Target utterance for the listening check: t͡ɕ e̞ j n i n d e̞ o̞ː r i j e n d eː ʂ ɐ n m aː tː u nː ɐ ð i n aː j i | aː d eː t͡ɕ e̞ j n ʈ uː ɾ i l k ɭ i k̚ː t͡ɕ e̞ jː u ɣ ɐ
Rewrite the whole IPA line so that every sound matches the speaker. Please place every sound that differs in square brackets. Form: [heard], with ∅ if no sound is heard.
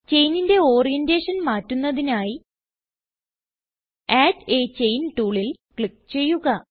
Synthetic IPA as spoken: t͡ɕ e̞ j n i n d e̞ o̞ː r i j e n d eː ʂ ɐ n m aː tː u nː ɐ ð i n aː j i | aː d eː t͡ɕ e̞ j n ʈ uː [ɭ] i l k ɭ i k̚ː t͡ɕ e̞ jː u ɣ ɐ